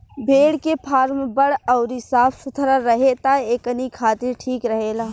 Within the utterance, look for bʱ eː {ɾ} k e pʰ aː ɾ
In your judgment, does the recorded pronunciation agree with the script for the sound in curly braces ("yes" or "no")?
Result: no